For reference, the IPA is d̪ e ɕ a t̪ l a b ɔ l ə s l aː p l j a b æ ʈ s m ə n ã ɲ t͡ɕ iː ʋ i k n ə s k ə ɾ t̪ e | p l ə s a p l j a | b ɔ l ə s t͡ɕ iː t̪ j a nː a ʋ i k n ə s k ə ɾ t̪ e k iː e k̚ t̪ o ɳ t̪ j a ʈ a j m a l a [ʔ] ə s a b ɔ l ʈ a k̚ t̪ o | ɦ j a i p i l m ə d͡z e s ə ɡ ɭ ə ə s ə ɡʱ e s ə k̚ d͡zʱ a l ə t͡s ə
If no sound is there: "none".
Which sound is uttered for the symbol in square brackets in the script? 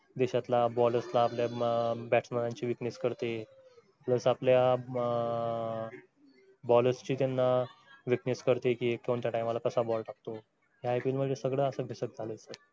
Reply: k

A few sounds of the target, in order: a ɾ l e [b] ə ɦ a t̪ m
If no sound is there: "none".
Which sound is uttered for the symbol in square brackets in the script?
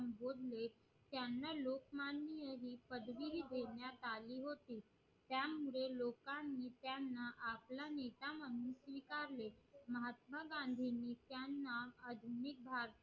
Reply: m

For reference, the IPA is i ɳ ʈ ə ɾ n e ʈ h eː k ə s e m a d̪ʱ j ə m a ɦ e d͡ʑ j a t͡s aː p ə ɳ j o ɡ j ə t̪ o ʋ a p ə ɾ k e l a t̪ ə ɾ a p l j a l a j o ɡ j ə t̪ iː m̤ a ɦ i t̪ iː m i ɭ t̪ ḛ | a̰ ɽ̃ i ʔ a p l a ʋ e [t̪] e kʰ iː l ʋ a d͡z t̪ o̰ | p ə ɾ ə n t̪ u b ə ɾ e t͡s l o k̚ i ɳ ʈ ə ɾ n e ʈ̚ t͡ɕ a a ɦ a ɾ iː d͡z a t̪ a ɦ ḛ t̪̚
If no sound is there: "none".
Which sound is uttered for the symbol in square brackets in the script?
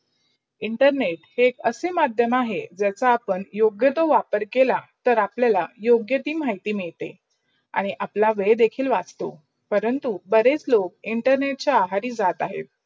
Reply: d̪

